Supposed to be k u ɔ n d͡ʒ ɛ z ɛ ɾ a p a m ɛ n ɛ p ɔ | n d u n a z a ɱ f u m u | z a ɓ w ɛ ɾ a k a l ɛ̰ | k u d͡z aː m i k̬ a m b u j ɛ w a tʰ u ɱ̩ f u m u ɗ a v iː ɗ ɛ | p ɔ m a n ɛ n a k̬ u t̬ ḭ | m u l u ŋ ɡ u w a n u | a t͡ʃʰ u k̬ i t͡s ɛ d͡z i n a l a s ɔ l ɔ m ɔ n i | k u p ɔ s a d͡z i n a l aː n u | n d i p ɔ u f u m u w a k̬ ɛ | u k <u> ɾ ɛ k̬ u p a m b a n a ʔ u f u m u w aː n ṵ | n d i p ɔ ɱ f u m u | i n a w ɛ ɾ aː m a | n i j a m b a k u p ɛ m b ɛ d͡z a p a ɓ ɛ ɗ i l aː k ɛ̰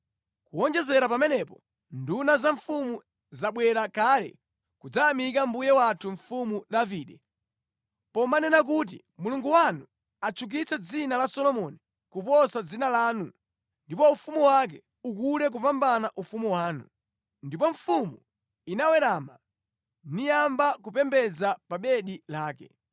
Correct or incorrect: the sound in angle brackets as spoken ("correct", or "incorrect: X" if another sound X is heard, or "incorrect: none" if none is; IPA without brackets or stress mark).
correct